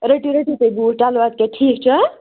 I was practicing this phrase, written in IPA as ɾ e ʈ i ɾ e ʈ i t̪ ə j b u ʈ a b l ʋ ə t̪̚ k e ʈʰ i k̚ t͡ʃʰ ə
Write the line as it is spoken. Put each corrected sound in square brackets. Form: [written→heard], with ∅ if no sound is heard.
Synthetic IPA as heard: ɾ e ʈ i ɾ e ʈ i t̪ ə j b u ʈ a [b→∅] l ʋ [ə→a] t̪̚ k e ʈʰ i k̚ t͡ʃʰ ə